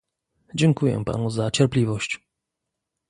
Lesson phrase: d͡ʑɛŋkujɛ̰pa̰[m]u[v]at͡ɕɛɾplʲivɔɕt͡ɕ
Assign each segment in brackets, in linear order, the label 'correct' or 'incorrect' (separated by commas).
incorrect, incorrect